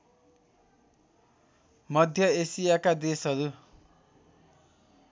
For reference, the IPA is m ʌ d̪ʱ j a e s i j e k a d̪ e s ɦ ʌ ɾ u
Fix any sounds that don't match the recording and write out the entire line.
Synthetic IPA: m ʌ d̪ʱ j ʌ e s i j a k a d̪ e s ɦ ʌ ɾ u